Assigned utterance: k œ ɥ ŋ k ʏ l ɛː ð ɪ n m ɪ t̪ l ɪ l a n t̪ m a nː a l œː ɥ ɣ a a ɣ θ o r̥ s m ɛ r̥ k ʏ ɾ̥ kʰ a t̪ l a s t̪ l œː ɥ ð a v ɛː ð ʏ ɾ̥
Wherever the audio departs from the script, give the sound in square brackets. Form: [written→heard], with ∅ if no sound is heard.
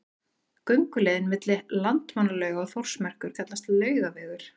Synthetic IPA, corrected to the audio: k œ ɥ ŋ k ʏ l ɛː ð ɪ n m ɪ t̪ l ɪ l a n t̪ m a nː a l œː ɥ ɣ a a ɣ θ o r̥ s m ɛ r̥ k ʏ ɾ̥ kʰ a t̪ l a s t̪ l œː ɥ [ð→ɣ] a v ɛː [ð→ɣ] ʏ ɾ̥